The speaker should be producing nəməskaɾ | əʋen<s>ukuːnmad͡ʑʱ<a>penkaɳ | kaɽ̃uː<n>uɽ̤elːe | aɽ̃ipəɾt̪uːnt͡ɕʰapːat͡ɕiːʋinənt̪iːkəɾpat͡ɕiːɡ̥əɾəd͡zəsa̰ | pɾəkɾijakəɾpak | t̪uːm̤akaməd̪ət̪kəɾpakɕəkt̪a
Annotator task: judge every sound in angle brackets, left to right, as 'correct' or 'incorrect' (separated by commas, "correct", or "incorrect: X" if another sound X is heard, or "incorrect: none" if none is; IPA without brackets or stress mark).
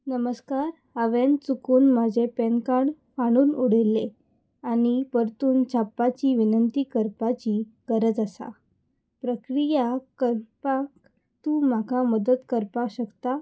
incorrect: t͡s, incorrect: e, correct